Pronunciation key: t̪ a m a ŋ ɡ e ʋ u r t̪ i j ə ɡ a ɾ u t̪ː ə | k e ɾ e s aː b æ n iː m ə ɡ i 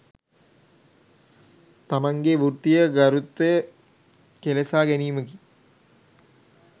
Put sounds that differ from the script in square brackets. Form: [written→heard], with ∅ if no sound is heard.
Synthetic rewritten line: t̪ a m a ŋ ɡ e ʋ u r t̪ i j ə ɡ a ɾ u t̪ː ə | k e [ɾ→l] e s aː [b→ɡ] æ n iː m ə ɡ i

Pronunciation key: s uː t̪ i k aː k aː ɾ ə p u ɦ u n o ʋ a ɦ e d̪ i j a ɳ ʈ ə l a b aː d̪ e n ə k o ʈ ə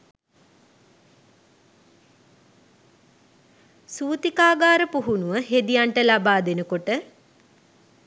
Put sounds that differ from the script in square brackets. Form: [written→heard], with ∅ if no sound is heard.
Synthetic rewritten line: s uː t̪ i k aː [k→ɡ] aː ɾ ə p u ɦ u n [o→u] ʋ [a→ə] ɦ e d̪ i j a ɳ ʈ ə l a b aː d̪ e n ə k o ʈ ə

